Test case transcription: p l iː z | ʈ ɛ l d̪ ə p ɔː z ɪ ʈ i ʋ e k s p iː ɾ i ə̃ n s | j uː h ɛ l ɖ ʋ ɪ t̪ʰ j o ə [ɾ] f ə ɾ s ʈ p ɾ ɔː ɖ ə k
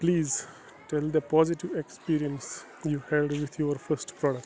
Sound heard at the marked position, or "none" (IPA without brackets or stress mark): ɾ